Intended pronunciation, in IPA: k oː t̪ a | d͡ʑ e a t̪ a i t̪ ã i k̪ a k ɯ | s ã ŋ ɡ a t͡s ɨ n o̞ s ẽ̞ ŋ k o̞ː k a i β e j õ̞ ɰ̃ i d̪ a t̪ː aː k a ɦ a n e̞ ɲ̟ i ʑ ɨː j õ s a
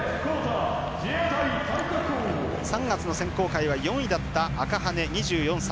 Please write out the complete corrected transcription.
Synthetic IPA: k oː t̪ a | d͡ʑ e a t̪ a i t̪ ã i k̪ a k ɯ | s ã ŋ ɡ a t͡s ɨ n o̞ s ẽ̞ ŋ k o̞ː k a i β a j õ̞ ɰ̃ i d̪ a t̪ː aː k a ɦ a n e̞ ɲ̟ i ʑ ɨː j õ s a